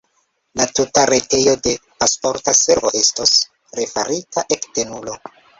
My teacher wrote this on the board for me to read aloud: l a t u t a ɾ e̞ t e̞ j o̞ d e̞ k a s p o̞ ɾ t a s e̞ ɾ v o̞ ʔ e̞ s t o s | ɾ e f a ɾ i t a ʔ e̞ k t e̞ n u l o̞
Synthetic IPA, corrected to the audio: l a t u t a ɾ e̞ t e̞ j o̞ d e̞ p a s p o̞ ɾ t a s e̞ ɾ v o̞ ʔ e̞ s t o s | ɾ e f a ɾ i t a ʔ e̞ k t e̞ n u l o̞